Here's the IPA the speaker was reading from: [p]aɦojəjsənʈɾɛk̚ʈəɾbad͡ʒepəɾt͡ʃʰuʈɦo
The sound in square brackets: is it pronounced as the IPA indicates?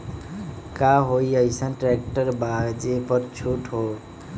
no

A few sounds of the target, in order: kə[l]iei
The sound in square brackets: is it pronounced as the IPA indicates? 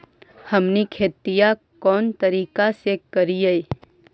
no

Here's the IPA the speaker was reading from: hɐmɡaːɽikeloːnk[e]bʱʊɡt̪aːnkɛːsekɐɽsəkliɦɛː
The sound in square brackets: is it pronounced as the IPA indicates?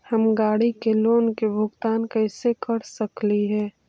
yes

